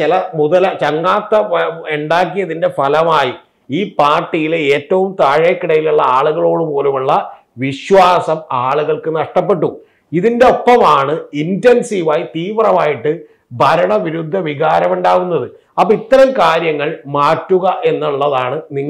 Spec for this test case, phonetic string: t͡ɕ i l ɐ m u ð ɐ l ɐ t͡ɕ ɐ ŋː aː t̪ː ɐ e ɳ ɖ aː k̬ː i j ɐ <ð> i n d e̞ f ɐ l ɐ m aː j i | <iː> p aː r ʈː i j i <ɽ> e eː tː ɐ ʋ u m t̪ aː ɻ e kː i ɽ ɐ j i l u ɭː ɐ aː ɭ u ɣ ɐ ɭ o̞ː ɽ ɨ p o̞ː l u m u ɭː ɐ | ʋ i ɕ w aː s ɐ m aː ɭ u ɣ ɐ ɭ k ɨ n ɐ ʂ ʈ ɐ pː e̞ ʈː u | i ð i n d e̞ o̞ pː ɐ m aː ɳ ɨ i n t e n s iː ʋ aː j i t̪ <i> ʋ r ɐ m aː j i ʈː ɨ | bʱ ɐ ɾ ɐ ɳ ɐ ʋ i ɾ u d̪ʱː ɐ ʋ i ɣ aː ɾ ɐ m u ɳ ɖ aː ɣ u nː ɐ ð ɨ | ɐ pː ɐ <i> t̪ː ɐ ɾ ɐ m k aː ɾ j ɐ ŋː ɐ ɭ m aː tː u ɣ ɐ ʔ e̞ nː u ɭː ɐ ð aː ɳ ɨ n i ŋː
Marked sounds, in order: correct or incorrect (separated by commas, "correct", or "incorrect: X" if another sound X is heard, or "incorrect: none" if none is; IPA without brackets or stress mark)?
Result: correct, correct, incorrect: l, incorrect: iː, correct